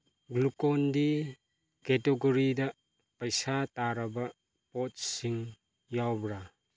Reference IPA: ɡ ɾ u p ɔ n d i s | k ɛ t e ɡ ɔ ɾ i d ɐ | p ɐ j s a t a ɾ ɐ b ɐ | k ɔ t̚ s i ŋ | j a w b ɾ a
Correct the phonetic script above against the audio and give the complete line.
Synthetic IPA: ɡ l u k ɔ n d i | k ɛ t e ɡ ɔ ɾ i d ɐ | p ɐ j s a t a ɾ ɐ b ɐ | p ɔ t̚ s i ŋ | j a w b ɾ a